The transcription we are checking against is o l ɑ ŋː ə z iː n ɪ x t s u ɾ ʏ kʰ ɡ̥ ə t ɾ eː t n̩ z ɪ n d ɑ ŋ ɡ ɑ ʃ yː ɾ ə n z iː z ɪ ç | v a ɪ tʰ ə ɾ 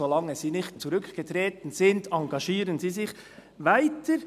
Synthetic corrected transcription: o l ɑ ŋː ə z iː n ɪ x t t͡s u ɾ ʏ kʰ ɡ̥ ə t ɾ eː t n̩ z ɪ n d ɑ ŋ ɡ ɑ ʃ iː ɾ ə n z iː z ɪ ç | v a ɪ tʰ ə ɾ

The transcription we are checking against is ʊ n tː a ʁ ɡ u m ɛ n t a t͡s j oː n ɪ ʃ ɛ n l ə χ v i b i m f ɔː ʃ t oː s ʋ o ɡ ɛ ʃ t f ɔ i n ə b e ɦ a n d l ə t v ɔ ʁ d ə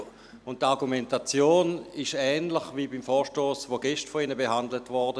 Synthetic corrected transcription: ʊ n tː a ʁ ɡ u m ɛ n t a t͡s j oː n ɪ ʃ ɛː n l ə χ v i b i m f ɔː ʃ t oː s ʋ o ɡ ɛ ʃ t f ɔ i n ə b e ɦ a n d l ə t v ɔ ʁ d ə

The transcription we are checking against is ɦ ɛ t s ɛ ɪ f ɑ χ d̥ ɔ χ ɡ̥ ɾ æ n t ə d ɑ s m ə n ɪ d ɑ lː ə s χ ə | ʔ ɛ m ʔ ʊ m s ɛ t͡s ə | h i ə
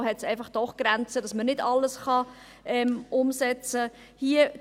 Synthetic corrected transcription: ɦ ɛ t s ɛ ɪ f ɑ χ d̥ ɔ χ ɡ̥ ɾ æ n t͡s ə d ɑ s m ə n ɪ d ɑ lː ə s χ ɑ | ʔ ɛ m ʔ ʊ m s ɛ t͡s ə | h i ə

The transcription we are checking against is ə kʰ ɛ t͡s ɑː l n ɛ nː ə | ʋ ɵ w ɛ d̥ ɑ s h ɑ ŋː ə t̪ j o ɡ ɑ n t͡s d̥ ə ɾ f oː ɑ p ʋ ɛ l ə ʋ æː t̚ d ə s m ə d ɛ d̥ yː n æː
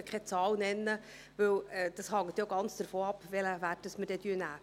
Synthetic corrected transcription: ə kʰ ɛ t͡s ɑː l n ɛ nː ə | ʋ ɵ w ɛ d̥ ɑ s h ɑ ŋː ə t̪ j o ɡ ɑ n t͡s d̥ ə ɾ f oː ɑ p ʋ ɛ l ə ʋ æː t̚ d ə s m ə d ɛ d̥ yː n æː

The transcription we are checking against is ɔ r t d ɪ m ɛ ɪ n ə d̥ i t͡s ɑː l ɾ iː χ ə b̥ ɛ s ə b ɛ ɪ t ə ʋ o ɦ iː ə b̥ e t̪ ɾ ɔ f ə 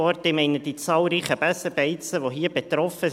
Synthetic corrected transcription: ɔ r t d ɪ m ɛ ɪ n ə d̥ i t͡s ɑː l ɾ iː χ ə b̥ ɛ s ə b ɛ ɪ t͡s ə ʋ o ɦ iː ə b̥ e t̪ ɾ ɔ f ə

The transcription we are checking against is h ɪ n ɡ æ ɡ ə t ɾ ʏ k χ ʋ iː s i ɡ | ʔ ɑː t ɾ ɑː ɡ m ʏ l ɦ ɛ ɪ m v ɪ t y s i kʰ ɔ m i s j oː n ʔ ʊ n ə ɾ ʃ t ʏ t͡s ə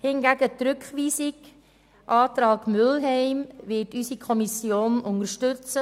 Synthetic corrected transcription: h ɪ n ɡ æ ɡ ə t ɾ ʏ k χ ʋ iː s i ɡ | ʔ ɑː t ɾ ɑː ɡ m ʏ l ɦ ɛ ɪ m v ɪ t y s i kʰ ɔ m i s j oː n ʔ ʊ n ə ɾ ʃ t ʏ t͡s ə

